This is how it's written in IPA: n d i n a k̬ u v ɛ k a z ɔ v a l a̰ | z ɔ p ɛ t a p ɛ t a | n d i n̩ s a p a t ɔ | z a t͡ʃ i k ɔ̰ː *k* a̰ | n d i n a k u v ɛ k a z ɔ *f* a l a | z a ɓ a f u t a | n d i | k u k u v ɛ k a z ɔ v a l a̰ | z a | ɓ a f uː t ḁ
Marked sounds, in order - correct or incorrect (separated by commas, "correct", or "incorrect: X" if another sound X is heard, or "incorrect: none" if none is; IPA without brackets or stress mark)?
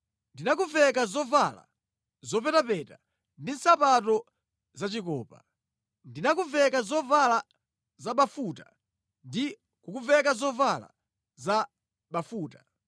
incorrect: p, incorrect: v